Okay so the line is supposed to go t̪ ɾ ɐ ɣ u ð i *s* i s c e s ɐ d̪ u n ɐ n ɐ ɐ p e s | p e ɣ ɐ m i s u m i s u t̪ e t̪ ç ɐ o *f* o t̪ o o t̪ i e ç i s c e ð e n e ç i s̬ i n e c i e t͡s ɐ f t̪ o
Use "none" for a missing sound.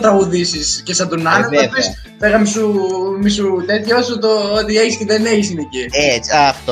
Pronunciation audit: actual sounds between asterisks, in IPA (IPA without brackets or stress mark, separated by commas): s, s